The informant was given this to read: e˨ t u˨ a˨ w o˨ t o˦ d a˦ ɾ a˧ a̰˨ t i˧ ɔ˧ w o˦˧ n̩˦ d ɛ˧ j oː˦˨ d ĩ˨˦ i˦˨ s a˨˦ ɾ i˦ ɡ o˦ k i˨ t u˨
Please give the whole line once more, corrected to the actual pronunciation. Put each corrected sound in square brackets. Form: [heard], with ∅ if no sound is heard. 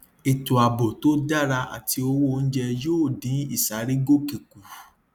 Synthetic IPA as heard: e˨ t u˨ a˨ [b] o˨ t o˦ d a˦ ɾ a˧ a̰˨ t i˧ [o˧] w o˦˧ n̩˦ [d͡ʒ] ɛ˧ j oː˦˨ d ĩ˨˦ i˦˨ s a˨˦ ɾ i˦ ɡ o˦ k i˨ [k] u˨